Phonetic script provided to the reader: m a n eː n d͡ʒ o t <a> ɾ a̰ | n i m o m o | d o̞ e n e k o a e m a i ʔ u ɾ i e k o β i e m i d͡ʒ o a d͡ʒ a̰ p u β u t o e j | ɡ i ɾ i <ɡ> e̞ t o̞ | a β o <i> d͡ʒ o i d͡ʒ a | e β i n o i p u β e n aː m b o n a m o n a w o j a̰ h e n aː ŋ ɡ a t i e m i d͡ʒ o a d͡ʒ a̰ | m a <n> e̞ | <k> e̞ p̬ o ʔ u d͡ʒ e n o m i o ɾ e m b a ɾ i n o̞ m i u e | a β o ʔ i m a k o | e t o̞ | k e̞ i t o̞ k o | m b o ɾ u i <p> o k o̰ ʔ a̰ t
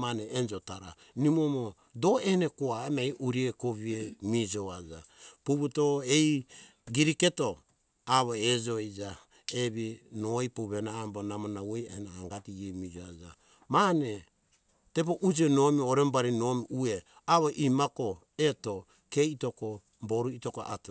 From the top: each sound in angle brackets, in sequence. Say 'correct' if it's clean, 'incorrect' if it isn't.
correct, incorrect: k, incorrect: e, correct, incorrect: t, incorrect: t

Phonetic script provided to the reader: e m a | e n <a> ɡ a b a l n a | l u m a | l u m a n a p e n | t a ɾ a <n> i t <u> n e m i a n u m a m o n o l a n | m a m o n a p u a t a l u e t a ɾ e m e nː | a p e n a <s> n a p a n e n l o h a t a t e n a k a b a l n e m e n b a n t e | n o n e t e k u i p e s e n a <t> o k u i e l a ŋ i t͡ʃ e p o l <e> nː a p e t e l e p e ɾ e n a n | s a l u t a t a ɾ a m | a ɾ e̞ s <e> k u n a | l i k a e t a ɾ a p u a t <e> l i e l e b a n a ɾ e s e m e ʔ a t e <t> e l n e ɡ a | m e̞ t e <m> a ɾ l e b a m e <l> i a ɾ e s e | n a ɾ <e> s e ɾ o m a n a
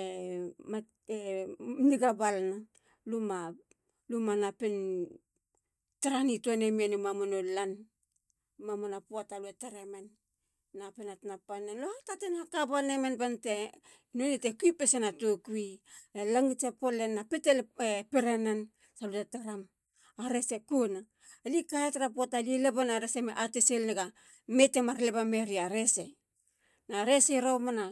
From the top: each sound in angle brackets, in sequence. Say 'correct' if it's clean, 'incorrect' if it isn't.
incorrect: i, correct, incorrect: o, incorrect: t, correct, correct, correct, incorrect: a, incorrect: s, correct, incorrect: ɾ, correct

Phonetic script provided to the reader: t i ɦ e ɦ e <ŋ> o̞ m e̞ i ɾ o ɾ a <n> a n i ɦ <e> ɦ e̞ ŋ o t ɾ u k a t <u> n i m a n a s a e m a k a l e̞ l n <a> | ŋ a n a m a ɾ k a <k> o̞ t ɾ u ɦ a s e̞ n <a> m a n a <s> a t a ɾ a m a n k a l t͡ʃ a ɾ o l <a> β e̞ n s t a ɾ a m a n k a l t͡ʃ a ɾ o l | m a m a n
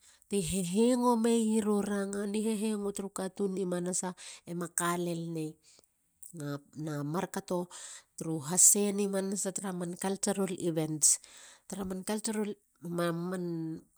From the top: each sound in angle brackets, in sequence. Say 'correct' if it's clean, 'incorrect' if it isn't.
correct, incorrect: ŋ, correct, correct, incorrect: e, incorrect: t, incorrect: i, correct, incorrect: i

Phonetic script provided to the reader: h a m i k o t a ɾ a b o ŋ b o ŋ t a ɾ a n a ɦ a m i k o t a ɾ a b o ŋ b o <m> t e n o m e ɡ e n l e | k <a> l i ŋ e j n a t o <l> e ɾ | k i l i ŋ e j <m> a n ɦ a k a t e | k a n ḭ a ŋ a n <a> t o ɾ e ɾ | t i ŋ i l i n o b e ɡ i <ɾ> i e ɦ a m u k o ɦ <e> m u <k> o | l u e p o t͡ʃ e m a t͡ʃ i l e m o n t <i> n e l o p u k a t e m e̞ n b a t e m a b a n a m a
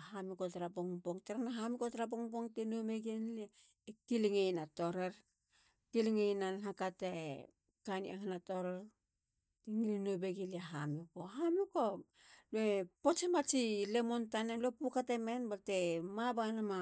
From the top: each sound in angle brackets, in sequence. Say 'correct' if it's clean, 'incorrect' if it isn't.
incorrect: ŋ, incorrect: i, incorrect: ɾ, incorrect: n, correct, incorrect: l, incorrect: a, correct, incorrect: a

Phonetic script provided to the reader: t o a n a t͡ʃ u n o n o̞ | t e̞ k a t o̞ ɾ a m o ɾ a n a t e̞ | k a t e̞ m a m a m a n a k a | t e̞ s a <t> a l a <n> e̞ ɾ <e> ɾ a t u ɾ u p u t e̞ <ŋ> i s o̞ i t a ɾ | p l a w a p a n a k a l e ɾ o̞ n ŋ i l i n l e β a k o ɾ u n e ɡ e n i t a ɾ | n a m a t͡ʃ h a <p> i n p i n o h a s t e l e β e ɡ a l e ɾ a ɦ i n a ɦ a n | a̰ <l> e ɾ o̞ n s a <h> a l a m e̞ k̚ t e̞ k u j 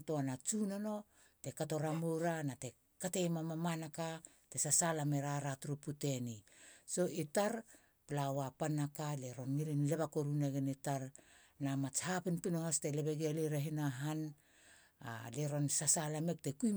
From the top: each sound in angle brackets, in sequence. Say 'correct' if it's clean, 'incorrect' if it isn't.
incorrect: s, incorrect: m, incorrect: a, incorrect: n, correct, correct, incorrect: s

